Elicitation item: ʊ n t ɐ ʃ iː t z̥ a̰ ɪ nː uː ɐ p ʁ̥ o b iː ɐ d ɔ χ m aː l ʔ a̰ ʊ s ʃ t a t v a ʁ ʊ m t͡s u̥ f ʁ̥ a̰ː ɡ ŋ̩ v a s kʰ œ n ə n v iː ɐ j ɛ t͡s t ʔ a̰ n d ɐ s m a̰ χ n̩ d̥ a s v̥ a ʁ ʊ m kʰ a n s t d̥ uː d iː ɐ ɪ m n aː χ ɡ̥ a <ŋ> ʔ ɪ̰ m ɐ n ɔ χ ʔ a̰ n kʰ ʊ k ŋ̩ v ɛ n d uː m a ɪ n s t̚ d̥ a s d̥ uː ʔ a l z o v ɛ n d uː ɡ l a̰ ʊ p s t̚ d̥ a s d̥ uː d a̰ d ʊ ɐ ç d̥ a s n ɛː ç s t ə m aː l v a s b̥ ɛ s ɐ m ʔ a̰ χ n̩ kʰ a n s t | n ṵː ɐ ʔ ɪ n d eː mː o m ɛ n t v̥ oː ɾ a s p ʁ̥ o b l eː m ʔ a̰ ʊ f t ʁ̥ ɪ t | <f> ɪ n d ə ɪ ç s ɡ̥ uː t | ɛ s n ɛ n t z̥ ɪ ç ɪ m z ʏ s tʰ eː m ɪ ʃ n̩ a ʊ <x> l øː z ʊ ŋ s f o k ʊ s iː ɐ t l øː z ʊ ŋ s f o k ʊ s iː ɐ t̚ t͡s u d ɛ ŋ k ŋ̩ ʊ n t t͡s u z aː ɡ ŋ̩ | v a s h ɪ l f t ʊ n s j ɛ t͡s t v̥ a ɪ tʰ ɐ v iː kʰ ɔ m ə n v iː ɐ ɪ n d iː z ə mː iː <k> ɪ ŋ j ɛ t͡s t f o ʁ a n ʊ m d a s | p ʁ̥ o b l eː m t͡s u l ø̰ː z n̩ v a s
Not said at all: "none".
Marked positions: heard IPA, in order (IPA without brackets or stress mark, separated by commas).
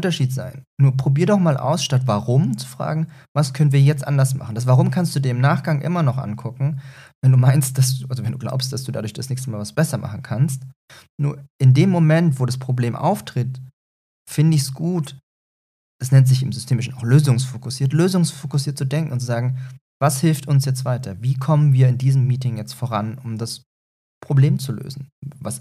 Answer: ŋ, f, x, t